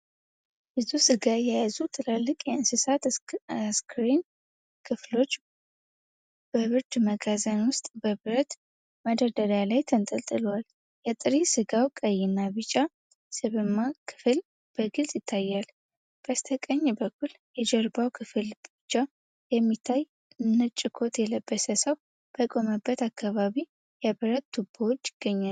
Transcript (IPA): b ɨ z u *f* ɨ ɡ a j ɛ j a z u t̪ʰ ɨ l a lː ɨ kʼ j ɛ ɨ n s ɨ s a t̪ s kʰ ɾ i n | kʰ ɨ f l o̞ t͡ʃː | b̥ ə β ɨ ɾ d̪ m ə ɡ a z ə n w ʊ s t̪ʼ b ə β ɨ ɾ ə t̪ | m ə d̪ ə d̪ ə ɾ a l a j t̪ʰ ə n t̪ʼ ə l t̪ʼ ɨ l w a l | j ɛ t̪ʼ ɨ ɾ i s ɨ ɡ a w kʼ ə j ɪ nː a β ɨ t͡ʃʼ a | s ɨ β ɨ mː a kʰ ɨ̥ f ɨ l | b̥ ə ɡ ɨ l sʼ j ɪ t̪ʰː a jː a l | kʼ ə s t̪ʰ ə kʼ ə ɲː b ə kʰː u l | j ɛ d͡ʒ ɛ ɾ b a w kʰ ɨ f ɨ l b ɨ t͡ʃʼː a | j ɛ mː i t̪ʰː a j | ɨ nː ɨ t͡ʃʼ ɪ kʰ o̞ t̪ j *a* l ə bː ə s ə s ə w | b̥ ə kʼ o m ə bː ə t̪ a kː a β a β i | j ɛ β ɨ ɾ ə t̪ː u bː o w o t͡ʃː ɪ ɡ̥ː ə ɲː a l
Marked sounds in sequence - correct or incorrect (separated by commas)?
incorrect, incorrect